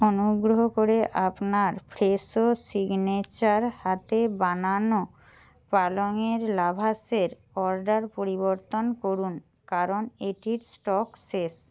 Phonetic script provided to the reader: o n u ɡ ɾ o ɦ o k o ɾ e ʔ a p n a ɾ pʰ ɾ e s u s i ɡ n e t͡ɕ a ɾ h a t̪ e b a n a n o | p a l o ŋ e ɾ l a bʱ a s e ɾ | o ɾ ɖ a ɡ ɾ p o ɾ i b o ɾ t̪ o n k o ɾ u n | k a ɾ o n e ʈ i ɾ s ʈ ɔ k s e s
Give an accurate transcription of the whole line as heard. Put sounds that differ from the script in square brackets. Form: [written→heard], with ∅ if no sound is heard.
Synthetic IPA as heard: o n u ɡ ɾ o ɦ o k o ɾ e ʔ a p n a ɾ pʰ ɾ e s [u→o] s i ɡ n e t͡ɕ a ɾ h a t̪ e b a n a n o | p a l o ŋ e ɾ l a bʱ a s e ɾ | [o→ɔ] ɾ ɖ a [ɡ→∅] ɾ p o ɾ i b o ɾ t̪ o n k o ɾ u n | k a ɾ o n e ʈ i ɾ s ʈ ɔ k s e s